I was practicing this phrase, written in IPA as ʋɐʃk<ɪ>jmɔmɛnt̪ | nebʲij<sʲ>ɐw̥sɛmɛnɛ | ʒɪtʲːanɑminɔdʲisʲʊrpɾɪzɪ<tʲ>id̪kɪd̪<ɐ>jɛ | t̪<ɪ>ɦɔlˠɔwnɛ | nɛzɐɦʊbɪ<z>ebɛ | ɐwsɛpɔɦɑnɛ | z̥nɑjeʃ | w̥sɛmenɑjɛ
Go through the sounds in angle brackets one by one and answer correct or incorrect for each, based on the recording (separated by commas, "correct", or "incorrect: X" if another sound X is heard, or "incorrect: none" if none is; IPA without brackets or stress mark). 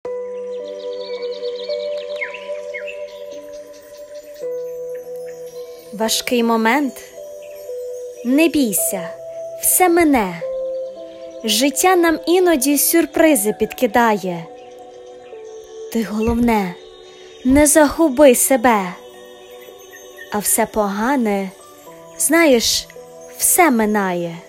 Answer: correct, correct, incorrect: pʲ, incorrect: ɑ, correct, incorrect: s